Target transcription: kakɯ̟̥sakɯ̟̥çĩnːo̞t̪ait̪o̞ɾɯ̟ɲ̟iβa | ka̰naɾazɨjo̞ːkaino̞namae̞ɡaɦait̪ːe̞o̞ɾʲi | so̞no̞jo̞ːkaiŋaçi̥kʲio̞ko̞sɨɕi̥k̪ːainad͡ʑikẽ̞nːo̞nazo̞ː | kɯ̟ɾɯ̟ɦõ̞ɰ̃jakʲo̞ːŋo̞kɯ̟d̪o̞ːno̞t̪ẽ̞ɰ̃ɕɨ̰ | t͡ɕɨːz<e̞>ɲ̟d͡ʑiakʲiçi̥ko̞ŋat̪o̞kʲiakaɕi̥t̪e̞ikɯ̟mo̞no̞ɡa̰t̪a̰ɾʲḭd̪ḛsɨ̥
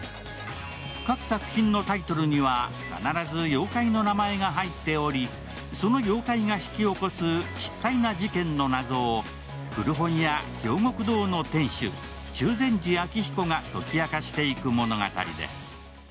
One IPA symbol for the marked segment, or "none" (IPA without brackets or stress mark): ẽ̞